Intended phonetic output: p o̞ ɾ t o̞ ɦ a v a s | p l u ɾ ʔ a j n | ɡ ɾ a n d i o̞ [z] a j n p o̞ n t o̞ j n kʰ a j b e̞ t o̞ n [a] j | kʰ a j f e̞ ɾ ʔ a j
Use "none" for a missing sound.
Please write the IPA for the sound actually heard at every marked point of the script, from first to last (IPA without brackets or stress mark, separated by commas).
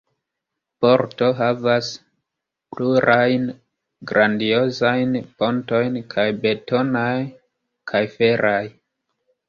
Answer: z, a